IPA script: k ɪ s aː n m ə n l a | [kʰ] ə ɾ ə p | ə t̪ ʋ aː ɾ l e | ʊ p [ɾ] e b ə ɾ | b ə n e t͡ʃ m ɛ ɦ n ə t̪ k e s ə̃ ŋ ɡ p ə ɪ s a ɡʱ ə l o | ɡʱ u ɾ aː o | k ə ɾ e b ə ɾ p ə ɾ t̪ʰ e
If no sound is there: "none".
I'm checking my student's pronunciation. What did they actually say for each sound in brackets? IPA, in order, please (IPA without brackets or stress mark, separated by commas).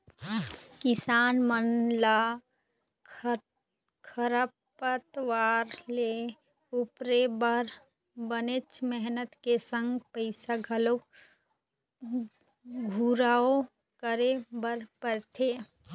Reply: kʰ, ɾ